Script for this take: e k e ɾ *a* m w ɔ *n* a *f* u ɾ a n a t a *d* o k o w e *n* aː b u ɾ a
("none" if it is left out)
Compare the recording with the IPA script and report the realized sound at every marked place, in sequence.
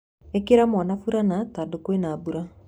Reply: a, n, f, d, n

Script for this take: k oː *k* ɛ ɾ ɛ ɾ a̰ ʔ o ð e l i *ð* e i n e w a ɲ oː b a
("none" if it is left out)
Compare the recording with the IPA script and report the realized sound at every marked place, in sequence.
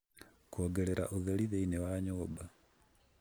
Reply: ɡ, ð

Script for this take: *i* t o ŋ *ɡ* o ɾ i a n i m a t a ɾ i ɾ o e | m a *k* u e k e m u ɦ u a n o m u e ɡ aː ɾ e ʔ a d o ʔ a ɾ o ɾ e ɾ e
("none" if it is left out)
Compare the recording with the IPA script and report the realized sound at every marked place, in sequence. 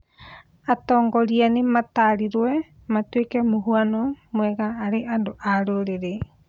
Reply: a, ɡ, t

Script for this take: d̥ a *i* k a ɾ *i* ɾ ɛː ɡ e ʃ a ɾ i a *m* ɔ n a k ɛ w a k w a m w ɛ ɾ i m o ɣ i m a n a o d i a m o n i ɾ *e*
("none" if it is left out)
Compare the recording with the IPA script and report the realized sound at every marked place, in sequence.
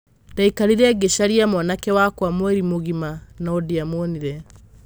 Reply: i, i, m, ɛ

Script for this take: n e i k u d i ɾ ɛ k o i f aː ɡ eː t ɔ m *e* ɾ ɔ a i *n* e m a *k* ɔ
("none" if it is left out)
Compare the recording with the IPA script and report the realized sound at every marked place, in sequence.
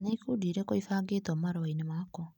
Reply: a, n, k

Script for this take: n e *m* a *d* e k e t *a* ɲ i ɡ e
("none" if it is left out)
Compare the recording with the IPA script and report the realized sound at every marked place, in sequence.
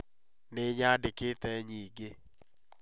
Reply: ɲ, d, ɛ

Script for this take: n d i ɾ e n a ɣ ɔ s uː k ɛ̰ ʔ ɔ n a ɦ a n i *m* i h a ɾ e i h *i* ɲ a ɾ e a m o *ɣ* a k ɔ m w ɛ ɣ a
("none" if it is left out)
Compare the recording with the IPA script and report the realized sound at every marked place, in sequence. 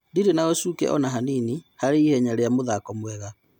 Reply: n, ɛ, ð

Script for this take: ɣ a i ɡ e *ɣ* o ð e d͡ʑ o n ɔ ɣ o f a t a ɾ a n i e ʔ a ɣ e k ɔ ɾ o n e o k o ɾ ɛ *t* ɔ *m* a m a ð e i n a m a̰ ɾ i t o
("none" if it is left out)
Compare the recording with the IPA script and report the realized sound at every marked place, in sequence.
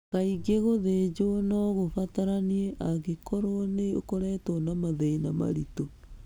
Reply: ɣ, t, n

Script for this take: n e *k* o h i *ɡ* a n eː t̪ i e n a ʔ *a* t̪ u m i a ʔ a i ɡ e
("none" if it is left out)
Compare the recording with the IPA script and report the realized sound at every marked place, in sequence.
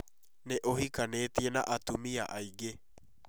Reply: ʔ, k, a

